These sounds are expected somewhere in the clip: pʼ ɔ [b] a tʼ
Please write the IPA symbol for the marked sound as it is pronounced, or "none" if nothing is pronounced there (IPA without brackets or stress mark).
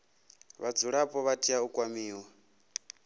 β